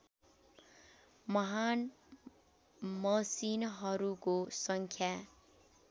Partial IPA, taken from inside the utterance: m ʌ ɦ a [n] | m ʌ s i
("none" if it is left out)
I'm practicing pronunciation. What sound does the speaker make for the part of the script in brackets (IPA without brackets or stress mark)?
n